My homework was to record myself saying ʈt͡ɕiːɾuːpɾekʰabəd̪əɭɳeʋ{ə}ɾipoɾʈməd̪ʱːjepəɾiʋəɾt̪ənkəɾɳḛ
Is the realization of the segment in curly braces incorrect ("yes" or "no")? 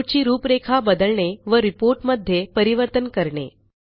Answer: no